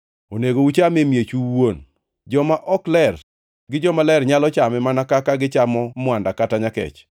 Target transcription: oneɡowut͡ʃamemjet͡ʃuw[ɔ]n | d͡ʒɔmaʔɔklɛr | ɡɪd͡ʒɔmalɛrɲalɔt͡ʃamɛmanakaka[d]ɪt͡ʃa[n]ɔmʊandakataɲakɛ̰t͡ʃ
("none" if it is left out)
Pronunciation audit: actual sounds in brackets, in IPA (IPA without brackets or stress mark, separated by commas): o, ɡ, m